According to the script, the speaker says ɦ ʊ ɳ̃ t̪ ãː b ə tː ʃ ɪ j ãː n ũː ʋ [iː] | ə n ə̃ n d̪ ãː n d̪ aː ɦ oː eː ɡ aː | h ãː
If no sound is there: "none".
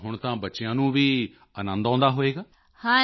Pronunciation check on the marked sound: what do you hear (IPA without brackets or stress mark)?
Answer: iː